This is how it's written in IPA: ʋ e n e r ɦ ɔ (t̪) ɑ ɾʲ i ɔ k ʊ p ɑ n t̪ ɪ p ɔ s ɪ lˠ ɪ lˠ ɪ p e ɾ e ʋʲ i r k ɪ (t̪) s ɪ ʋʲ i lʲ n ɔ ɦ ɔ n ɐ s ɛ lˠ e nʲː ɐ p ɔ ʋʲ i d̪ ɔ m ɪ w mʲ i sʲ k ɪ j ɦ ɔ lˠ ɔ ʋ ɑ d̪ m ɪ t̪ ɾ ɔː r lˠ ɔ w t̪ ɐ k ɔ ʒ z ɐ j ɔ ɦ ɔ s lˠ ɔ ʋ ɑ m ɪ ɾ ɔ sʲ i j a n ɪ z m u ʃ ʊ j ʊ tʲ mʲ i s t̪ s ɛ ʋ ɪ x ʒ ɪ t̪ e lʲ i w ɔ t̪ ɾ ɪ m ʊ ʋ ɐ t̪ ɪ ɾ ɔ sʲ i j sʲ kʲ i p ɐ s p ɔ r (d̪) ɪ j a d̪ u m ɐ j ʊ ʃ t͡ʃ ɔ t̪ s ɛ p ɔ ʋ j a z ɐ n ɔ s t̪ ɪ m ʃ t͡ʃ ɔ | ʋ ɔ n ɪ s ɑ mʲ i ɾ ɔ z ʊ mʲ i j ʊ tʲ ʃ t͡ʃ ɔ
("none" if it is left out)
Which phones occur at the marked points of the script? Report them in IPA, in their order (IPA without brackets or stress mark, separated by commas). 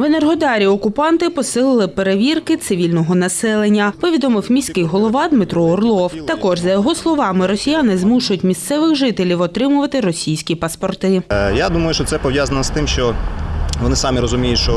d̪, t̪, t̪